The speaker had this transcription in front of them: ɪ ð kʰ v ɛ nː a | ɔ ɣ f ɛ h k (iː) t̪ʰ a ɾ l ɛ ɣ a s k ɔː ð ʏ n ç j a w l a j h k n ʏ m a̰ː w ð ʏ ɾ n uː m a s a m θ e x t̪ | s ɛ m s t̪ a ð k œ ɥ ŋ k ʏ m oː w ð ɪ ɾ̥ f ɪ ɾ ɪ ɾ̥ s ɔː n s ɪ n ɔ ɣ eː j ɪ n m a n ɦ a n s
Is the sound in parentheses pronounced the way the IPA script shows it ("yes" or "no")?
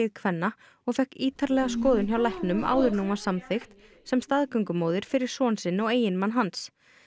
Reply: yes